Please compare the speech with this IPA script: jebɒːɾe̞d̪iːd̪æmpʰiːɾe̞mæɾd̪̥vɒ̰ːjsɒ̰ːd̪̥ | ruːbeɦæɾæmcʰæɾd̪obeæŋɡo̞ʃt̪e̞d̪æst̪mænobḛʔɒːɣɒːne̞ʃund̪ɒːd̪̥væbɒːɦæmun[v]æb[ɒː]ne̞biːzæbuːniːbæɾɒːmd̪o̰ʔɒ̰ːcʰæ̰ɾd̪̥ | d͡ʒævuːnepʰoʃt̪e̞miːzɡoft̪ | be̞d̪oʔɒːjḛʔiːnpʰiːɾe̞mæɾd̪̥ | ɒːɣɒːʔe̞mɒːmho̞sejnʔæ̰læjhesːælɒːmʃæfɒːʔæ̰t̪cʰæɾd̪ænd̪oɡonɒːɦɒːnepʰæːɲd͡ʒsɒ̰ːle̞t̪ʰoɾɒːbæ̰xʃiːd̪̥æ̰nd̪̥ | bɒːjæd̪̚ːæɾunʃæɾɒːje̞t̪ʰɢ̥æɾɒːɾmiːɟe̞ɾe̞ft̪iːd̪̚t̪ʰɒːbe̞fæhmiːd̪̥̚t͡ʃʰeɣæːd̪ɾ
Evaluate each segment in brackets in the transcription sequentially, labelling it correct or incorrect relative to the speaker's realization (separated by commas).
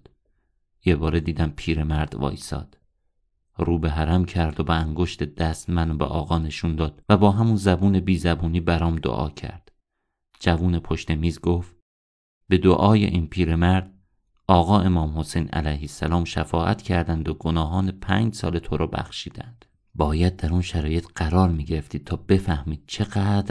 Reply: incorrect, incorrect